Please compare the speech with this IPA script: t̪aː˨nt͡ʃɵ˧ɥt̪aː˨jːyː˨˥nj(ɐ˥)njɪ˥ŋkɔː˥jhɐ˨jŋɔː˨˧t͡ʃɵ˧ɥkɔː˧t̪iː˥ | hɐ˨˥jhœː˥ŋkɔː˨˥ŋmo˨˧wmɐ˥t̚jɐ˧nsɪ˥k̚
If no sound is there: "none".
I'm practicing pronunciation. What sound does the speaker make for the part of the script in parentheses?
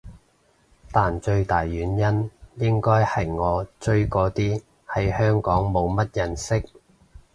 ɐ˥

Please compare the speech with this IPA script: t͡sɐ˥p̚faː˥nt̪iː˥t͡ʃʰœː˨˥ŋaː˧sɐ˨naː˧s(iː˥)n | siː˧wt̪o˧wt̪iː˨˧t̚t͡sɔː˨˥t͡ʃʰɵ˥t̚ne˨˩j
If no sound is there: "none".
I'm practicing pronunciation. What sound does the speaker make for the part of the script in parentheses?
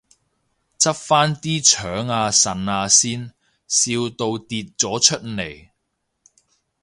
iː˥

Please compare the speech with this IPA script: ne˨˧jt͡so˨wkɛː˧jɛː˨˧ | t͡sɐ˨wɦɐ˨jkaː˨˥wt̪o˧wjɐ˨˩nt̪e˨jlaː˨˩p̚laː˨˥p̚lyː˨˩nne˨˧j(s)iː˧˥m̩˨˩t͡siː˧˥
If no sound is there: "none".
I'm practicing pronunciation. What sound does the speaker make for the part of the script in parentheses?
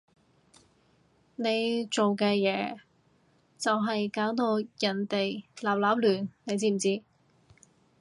t͡s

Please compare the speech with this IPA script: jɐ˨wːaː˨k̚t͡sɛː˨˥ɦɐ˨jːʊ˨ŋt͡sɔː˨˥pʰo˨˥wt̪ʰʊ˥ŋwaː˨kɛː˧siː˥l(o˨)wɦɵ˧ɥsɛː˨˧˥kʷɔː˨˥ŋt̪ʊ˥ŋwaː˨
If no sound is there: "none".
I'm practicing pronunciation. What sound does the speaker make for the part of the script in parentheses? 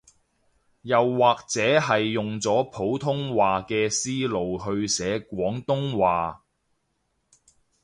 o˨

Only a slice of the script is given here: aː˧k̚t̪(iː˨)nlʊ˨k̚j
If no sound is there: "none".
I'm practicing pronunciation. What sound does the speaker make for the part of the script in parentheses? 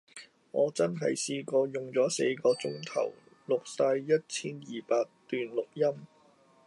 yː˨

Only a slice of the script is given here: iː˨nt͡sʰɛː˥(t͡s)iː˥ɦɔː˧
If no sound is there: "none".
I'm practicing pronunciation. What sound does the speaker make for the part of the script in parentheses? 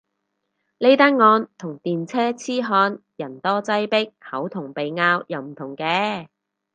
t͡sʰ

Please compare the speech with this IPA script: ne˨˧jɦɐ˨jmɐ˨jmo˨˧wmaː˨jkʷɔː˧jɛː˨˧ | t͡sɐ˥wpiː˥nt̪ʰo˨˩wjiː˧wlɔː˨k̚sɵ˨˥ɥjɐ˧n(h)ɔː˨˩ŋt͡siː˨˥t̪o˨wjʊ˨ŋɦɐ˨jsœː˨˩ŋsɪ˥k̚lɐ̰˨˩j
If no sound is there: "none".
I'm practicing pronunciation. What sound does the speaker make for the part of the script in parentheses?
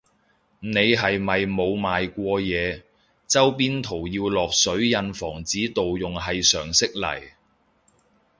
f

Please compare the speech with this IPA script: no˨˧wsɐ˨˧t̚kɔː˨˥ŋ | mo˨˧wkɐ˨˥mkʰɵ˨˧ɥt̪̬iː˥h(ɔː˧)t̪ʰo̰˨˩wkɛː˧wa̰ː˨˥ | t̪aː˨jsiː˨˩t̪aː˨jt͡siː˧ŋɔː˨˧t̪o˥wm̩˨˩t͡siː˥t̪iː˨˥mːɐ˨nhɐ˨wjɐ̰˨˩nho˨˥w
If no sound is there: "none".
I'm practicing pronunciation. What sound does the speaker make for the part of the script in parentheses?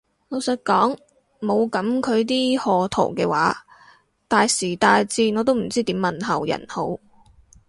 ɔː˧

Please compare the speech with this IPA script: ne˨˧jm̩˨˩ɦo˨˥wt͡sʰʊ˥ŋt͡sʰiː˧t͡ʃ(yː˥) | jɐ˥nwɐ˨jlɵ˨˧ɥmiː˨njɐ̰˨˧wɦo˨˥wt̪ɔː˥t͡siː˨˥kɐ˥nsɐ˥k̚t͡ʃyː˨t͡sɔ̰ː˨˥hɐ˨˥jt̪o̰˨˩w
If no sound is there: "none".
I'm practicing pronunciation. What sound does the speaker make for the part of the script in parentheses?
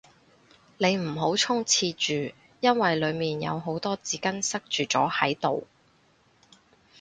yː˨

